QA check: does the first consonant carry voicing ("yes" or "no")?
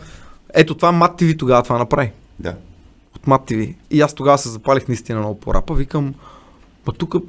no